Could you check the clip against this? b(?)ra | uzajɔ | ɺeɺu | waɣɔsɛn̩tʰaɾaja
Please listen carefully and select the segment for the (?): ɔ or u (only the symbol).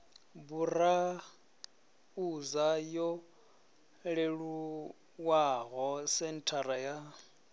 u